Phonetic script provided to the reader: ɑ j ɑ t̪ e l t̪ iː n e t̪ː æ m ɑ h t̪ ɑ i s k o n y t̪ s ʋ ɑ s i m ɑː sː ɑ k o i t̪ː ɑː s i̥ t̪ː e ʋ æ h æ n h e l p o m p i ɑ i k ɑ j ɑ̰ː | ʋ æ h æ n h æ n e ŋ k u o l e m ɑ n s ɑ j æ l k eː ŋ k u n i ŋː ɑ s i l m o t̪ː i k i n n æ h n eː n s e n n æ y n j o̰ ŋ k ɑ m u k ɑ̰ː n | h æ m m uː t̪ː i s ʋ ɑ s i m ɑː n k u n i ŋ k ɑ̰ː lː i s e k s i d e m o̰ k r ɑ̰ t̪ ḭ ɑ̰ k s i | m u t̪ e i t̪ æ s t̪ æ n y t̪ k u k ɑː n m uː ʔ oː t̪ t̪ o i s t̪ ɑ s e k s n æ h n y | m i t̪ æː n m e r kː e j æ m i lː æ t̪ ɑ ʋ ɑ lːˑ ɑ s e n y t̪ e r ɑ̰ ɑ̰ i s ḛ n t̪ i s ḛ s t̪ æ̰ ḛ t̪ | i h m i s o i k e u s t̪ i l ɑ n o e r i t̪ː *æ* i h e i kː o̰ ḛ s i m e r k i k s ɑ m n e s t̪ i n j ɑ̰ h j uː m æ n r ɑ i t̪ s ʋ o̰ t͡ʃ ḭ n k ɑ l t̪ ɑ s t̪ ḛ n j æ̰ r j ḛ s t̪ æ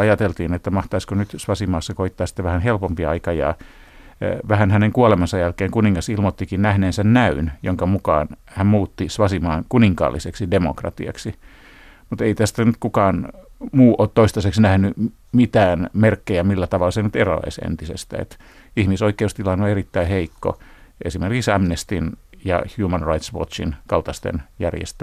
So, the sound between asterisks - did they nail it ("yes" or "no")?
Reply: yes